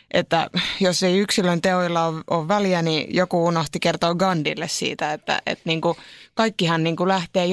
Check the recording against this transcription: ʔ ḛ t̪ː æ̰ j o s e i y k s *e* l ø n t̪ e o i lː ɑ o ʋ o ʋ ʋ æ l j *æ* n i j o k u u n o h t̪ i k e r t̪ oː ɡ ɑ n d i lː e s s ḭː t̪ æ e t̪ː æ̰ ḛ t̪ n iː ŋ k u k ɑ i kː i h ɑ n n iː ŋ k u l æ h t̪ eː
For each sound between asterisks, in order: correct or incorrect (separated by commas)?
incorrect, correct